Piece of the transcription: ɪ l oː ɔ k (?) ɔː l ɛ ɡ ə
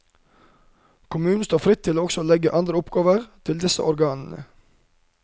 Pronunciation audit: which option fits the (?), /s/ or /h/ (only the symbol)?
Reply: s